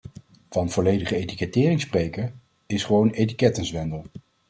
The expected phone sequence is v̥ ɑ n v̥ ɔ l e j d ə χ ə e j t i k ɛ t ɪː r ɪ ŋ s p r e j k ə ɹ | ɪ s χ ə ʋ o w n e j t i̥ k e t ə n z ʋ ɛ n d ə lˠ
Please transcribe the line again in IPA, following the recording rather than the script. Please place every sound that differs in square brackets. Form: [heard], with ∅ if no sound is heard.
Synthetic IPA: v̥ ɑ n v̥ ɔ l e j d ə χ ə e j t i k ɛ t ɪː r ɪ ŋ s p r e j k ə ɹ | ɪ s χ ə ʋ o w n e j t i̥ k [ɛ] t ə n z ʋ ɛ n d ə lˠ